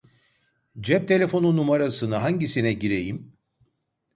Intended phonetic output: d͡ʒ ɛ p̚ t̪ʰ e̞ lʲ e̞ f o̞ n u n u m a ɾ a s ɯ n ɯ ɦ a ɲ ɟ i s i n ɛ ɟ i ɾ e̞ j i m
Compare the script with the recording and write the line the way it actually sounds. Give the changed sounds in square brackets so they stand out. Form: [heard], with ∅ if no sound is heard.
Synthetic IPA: d͡ʒ ɛ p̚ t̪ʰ e̞ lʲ e̞ f o̞ n u n u m a ɾ a s ɯ n ɯ ɦ a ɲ ɟ i s i n ɛ ɟ i ɾ e̞ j i m

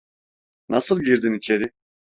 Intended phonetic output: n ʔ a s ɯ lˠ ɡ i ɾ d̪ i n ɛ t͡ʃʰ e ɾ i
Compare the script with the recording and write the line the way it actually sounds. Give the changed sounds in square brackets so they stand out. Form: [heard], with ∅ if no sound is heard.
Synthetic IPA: n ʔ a s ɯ lˠ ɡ i ɾ d̪ i n [i] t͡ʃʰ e ɾ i

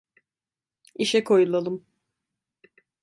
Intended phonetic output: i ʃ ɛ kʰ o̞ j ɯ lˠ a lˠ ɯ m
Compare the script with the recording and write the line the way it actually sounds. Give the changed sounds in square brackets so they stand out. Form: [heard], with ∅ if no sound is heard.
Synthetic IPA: i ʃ ɛ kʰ o̞ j [u] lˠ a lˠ ɯ m

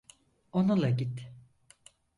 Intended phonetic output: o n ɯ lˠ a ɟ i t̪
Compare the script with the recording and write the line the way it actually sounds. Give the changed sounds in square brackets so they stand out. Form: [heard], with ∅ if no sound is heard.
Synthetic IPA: o n [u] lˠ a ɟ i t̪

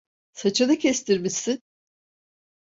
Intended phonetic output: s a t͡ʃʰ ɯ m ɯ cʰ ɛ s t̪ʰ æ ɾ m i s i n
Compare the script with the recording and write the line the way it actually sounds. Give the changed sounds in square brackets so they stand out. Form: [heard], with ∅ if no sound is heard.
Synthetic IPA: s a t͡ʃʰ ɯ [n] ɯ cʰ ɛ s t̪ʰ [i] ɾ m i s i n

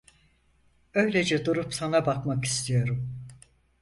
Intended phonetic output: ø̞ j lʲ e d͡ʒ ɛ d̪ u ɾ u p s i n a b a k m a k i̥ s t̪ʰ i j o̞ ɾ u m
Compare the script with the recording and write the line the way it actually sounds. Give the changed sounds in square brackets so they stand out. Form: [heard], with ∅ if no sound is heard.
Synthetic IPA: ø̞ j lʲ e d͡ʒ ɛ d̪ u ɾ u p s [a] n a b a k m a k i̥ s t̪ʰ i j o̞ ɾ u m

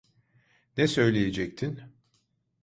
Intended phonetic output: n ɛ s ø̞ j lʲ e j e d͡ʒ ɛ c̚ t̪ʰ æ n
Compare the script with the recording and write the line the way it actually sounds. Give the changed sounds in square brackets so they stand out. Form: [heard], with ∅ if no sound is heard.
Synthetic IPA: n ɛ s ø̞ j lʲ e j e d͡ʒ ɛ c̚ t̪ʰ [i] n

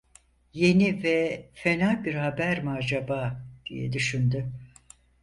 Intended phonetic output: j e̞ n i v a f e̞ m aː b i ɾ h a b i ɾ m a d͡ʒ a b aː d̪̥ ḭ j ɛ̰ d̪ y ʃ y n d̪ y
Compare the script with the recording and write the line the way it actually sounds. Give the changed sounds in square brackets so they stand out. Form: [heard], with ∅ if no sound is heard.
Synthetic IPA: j e̞ n i v [ɛ] f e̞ [n] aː b i ɾ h a b [æ] ɾ m a d͡ʒ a b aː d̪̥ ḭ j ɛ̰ d̪ y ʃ y n d̪ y

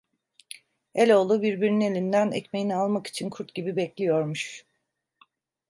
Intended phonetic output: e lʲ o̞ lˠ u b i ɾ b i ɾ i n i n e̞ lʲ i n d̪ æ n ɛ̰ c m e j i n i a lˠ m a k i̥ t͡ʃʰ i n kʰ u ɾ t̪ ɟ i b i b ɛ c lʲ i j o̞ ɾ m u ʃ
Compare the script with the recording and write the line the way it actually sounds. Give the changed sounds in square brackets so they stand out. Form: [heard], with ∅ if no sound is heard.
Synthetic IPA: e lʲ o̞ lˠ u b i ɾ b i ɾ i n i n e̞ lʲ i n d̪ æ n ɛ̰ c m e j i n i a lˠ m a k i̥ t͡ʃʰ i n kʰ u ɾ t̪ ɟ i b i b ɛ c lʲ i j o̞ ɾ m u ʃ

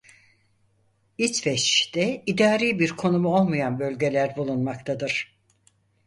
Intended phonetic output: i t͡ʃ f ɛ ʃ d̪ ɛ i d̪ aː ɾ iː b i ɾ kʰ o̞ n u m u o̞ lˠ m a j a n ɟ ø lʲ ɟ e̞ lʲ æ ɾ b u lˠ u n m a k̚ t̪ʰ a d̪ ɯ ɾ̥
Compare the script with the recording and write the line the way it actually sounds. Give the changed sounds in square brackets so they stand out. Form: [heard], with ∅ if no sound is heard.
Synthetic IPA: i t͡ʃ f ɛ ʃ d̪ ɛ i d̪ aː ɾ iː b i ɾ kʰ o̞ n u m u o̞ lˠ m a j a n [b] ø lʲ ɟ e̞ lʲ æ ɾ b u lˠ u n m a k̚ t̪ʰ a d̪ ɯ ɾ̥

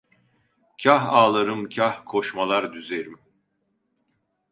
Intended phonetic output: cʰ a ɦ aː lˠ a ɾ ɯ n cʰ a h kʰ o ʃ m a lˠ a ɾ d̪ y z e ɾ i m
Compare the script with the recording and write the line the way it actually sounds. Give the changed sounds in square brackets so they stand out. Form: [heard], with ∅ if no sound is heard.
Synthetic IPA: cʰ a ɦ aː lˠ a ɾ ɯ [m] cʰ a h kʰ o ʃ m a lˠ a ɾ d̪ y z e ɾ i m

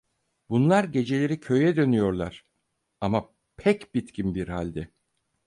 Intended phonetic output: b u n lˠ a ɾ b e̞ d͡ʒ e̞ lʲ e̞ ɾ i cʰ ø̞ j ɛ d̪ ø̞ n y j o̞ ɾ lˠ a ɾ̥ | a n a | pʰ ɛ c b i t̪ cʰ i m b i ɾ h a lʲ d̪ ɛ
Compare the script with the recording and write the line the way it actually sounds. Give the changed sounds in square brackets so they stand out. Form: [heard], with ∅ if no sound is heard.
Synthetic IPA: b u n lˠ a ɾ [ɟ] e̞ d͡ʒ e̞ lʲ e̞ ɾ i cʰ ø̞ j ɛ d̪ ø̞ n y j o̞ ɾ lˠ a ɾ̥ | a [m] a | pʰ ɛ c b i t̪ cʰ i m b i ɾ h a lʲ d̪ ɛ

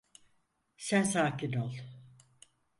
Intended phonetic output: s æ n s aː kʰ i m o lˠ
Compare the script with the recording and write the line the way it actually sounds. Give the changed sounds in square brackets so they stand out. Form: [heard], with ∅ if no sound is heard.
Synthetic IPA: s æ n s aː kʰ i [n] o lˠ

